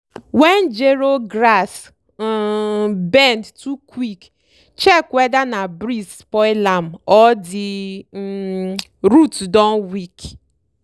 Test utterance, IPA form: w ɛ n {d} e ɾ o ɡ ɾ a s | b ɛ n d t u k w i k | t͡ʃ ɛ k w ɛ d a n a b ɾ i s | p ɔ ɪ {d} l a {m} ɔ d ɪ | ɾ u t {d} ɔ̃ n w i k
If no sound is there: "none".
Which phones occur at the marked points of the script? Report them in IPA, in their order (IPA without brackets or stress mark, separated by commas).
d͡ʒ, none, m, d